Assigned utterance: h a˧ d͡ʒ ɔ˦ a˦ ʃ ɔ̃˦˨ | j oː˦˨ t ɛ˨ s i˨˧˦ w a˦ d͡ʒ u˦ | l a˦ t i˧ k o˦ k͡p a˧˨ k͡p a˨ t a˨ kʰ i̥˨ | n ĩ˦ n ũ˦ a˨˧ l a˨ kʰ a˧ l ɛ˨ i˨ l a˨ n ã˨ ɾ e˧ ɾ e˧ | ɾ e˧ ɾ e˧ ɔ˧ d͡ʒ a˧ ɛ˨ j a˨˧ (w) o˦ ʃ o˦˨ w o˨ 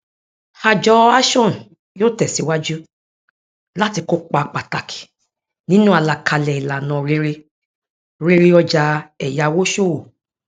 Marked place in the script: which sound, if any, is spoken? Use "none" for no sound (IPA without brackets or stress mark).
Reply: w